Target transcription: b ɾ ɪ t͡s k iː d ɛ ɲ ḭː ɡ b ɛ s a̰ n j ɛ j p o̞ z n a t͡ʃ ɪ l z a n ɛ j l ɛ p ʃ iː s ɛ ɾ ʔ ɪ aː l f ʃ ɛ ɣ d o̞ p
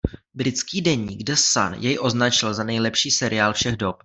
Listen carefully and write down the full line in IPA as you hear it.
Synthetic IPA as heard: b ɾ ɪ t͡s k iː d ɛ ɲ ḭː ɡ d ɛ s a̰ n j ɛ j ʔ o̞ z n a t͡ʃ ɪ l z a n ɛ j l ɛ p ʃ iː s ɛ ɾ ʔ ɪ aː l f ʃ ɛ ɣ d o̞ p

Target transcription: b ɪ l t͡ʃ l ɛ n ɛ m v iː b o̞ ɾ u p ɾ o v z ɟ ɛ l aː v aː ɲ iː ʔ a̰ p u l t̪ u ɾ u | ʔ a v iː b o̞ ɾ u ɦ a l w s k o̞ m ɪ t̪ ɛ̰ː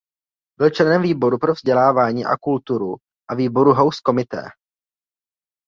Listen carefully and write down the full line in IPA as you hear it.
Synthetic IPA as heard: b ɪ l t͡ʃ l ɛ n ɛ m v iː b o̞ ɾ u p ɾ o v z ɟ ɛ l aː v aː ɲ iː ʔ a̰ k u l t̪ u ɾ u | ʔ a v iː b o̞ ɾ u ɦ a w s k o̞ m ɪ t̪ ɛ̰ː

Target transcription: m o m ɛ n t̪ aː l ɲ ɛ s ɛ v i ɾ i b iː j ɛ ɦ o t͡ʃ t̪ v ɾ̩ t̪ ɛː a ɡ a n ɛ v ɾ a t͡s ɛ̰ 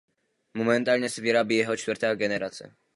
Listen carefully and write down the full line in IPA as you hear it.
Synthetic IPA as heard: m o m ɛ n t̪ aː l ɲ ɛ s ɛ v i ɾ a b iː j ɛ ɦ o t͡ʃ t̪ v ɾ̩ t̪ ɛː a ɡ ɛ n ɛ ɾ a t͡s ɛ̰

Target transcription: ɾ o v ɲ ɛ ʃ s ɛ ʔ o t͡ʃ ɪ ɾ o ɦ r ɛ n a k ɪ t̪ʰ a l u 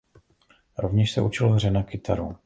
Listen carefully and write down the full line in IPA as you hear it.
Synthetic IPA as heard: ɾ o v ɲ ɛ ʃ s ɛ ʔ u t͡ʃ ɪ l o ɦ r ɛ n a k ɪ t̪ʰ a ɾ u

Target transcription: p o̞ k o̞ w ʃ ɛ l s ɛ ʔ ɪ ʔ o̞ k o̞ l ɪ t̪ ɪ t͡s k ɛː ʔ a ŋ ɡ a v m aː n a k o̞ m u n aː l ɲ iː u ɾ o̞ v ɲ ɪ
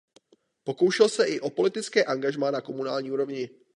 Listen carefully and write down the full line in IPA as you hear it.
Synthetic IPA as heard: p o̞ k o̞ w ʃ ɛ l s ɛ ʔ ɪ ʔ o̞ p o̞ l ɪ t̪ ɪ t͡s k ɛː ʔ a ŋ ɡ a ʒ m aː n a k o̞ m u n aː l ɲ iː u ɾ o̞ v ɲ ɪ

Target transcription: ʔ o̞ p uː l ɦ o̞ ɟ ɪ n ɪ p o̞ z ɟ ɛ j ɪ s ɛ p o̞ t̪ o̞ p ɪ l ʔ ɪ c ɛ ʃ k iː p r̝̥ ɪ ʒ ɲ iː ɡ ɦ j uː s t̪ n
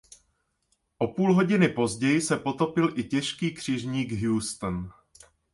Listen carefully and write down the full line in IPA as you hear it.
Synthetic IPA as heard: ʔ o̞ p uː l ɦ o̞ ɟ ɪ n ɪ p o̞ z ɟ ɛ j ɪ s ɛ p o̞ t̪ o̞ p ɪ l ʔ ɪ c ɛ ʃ k iː k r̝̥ ɪ ʒ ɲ iː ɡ ɦ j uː s t̪ n

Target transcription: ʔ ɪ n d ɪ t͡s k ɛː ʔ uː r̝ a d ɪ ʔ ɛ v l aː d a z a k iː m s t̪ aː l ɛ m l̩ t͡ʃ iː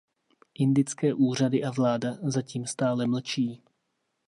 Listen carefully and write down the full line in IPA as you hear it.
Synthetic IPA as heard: ʔ ɪ n d ɪ t͡s k ɛː ʔ uː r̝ a d ɪ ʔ a v l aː d a z a c iː m s t̪ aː l ɛ m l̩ t͡ʃ iː

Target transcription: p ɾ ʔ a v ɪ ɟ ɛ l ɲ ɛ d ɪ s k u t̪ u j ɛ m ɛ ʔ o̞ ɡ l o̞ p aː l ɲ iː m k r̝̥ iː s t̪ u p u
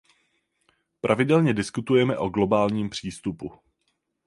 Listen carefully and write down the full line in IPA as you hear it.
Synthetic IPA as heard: p ɾ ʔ a v ɪ d ɛ l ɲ ɛ d ɪ s k u t̪ u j ɛ m ɛ ʔ o̞ ɡ l o̞ b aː l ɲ iː m p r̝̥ iː s t̪ u p u

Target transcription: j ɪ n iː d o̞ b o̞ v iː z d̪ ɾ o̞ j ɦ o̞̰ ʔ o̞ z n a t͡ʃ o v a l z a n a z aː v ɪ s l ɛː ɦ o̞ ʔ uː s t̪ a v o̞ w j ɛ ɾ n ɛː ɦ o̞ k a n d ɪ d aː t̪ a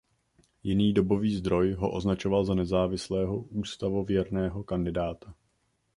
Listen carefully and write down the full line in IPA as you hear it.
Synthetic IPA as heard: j ɪ n iː d o̞ b o̞ v iː z d̪ ɾ o̞ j ɦ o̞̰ ʔ o̞ z n a t͡ʃ o v a l z a n ɛ z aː v ɪ s l ɛː ɦ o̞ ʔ uː s t̪ a v o̞ v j ɛ ɾ n ɛː ɦ o̞ k a n d ɪ d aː t̪ a

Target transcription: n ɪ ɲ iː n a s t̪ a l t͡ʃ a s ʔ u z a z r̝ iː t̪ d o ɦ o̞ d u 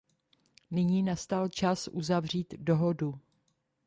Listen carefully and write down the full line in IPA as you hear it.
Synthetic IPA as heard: n ɪ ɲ iː n a s t̪ a l t͡ʃ a s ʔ u z a v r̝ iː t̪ d o ɦ o̞ d u

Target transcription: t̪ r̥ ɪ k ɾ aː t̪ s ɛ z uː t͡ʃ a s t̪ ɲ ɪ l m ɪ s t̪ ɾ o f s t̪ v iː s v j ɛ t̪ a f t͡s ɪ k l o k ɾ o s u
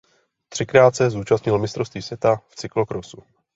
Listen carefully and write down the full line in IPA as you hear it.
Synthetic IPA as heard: t̪ r̥ ɪ k ɾ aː t̪ s ɛ z uː t͡ʃ a s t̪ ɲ ɪ l m ɪ s t̪ ɾ o f s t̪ v iː s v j ɛ t̪ a f t͡s ɪ k l o k ɾ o s u

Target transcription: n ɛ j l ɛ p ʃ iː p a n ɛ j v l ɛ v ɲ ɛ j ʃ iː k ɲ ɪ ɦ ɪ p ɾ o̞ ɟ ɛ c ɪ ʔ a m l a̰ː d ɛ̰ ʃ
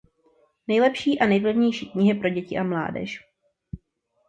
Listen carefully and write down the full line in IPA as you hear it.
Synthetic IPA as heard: n ɛ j l ɛ p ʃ iː ʔ a n ɛ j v l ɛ v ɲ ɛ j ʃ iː k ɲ ɪ ɦ ɪ p ɾ o̞ ɟ ɛ c ɪ ʔ a m l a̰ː d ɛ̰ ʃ

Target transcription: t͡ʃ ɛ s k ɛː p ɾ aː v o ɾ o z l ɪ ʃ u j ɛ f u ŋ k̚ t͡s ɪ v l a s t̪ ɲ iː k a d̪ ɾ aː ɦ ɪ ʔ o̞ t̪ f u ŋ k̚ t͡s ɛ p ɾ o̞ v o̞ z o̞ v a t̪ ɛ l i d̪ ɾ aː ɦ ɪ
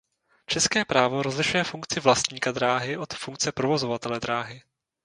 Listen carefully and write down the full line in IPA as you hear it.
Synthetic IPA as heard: t͡ʃ ɛ s k ɛː p ɾ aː v o ɾ o z l ɪ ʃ u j ɛ f u ŋ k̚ t͡s ɪ v l a s t̪ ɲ iː k a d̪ ɾ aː ɦ ɪ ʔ o̞ t̪ f u ŋ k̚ t͡s ɛ p ɾ o̞ v o̞ z o̞ v a t̪ ɛ l ɛ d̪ ɾ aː ɦ ɪ

